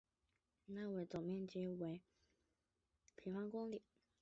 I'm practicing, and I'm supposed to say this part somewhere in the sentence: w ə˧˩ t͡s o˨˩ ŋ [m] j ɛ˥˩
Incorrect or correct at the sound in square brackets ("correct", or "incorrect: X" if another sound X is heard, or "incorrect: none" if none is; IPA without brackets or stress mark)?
correct